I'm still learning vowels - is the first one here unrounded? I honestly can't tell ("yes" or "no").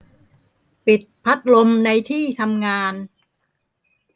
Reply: yes